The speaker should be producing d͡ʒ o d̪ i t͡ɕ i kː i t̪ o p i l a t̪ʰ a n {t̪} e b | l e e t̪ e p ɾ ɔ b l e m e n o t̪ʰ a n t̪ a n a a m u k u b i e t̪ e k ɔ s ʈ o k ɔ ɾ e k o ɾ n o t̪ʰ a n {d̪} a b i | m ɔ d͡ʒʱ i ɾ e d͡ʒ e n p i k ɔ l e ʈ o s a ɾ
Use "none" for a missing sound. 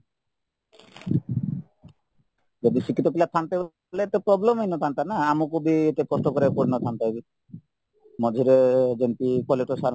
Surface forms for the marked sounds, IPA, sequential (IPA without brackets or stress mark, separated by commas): t̪, t̪